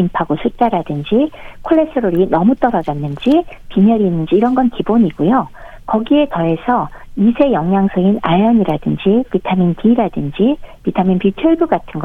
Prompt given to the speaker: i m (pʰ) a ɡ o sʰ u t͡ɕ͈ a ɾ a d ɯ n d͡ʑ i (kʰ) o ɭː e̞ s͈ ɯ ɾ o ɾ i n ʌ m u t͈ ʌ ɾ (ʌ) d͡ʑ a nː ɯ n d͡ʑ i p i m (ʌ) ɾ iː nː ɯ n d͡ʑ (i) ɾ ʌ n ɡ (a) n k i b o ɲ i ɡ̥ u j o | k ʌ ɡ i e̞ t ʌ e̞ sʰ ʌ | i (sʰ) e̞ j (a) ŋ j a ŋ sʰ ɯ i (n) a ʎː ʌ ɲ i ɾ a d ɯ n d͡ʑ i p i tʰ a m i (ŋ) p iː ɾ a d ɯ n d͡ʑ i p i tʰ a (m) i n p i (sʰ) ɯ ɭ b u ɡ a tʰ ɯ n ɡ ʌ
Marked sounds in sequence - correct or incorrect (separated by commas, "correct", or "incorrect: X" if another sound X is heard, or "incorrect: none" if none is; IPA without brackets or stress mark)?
correct, correct, correct, correct, incorrect: iː, incorrect: ʌ, correct, incorrect: ʌ, correct, incorrect: n, correct, incorrect: tʰ